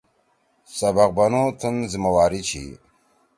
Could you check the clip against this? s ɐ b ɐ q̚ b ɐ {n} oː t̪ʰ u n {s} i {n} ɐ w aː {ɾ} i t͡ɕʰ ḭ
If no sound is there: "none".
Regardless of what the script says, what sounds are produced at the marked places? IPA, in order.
n, z, m, ɾ

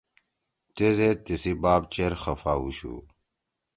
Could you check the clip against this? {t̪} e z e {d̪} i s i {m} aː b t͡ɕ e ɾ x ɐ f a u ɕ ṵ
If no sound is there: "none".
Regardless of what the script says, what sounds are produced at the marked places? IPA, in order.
t̪, t̪, b

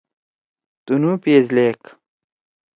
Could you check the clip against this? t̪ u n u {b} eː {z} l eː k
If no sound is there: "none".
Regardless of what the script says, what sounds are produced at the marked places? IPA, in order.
p, z

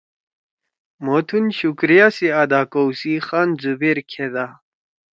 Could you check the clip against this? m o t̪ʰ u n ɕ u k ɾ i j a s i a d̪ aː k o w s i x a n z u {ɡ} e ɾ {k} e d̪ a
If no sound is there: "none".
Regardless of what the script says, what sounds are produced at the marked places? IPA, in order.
b, kʰ

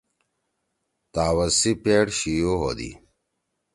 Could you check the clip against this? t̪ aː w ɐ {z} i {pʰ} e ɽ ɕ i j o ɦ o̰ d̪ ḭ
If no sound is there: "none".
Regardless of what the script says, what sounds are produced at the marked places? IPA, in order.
s, p

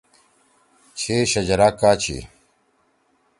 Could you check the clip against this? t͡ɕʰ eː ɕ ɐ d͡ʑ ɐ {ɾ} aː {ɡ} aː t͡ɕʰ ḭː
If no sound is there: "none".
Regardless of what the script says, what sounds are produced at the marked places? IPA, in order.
ɾ, k

